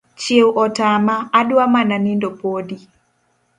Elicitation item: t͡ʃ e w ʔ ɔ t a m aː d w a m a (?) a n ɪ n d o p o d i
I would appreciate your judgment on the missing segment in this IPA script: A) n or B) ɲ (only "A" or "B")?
A